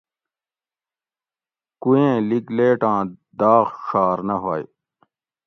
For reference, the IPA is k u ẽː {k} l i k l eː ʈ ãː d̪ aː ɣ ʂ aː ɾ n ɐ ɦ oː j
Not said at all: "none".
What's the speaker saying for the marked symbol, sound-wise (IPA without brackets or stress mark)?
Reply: none